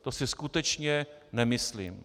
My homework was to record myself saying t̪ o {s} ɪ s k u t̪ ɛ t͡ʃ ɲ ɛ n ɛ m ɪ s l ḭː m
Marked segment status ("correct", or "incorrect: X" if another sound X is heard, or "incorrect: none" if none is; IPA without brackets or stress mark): correct